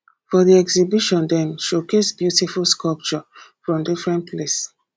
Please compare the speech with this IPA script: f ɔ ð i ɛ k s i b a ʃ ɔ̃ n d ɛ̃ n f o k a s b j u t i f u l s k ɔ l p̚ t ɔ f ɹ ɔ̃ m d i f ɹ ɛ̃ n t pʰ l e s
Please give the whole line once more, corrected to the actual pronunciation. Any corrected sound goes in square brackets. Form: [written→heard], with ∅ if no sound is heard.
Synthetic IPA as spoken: f ɔ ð i ɛ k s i b [a→i] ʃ ɔ̃ n d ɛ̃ n [f→ʃ] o k [a→e] s b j u t i f u l s k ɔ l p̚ [t→t͡ʃ] ɔ f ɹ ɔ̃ m d i f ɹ ɛ̃ n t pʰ l e s